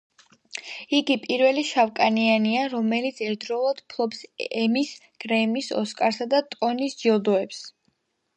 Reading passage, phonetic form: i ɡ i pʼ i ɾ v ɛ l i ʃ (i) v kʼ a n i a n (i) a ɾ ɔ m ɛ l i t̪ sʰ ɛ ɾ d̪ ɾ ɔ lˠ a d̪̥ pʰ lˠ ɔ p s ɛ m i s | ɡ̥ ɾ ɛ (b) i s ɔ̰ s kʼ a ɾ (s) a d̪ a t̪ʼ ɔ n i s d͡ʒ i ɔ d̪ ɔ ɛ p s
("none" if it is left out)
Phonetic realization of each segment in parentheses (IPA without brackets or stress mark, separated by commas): a, i, m, s